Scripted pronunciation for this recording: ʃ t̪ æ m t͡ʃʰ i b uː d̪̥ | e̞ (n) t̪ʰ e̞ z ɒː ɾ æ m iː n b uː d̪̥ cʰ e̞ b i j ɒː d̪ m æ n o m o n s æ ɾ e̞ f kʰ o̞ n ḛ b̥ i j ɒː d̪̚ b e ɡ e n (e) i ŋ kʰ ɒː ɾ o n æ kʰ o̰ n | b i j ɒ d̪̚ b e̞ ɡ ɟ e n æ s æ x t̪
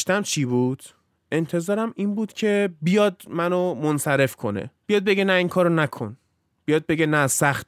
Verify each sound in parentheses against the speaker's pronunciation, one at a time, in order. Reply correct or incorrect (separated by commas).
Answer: correct, incorrect